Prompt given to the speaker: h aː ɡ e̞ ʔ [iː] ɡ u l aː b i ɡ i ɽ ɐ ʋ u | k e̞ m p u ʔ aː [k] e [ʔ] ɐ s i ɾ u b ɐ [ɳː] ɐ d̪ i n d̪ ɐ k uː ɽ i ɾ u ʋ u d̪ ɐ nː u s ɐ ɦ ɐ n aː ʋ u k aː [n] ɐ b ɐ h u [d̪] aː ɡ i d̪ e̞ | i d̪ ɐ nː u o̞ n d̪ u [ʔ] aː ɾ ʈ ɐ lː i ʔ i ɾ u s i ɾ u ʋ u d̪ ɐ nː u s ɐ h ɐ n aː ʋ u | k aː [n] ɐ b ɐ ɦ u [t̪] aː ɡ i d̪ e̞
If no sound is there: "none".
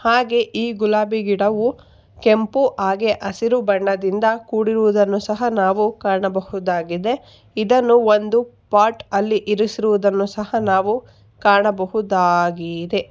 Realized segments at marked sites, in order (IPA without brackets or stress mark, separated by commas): iː, ɡ, ʔ, ɳː, ɳ, d̪, p, ɳ, d̪